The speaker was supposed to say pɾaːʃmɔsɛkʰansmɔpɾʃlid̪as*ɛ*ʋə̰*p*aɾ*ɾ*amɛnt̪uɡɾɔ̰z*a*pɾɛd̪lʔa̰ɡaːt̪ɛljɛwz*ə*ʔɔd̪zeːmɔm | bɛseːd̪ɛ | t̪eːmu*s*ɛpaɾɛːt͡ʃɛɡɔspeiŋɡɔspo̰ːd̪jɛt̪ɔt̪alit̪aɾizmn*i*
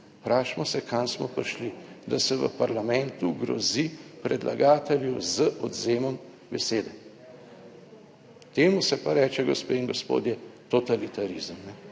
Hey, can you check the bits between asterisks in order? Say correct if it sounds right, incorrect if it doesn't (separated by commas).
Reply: correct, correct, incorrect, incorrect, correct, correct, incorrect